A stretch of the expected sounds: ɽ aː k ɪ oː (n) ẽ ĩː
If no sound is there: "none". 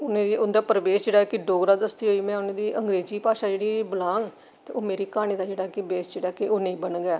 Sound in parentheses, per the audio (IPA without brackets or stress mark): n